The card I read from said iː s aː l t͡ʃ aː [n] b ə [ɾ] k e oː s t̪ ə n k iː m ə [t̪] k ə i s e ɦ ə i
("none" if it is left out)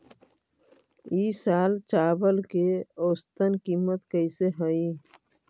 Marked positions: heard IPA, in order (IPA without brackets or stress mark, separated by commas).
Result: none, l, t̪